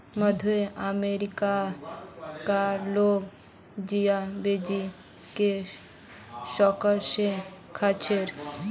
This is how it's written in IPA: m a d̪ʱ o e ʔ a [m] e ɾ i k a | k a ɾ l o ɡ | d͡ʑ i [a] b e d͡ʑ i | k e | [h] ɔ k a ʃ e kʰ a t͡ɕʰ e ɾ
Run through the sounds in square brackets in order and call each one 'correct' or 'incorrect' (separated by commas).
correct, correct, incorrect